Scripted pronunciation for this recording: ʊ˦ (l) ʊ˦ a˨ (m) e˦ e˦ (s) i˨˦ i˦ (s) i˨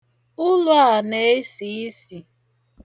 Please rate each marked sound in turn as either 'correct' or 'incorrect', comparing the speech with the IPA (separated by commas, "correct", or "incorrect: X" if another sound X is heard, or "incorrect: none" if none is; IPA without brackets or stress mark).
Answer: correct, incorrect: n, correct, correct